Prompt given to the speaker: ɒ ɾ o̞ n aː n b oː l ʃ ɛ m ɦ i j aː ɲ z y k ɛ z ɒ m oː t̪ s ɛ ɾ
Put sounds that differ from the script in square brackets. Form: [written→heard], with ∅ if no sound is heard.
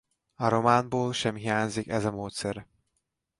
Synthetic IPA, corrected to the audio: ɒ ɾ o̞ [n→m] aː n b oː l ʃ ɛ m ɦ i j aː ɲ z [y→i] k ɛ z ɒ m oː t̪ s ɛ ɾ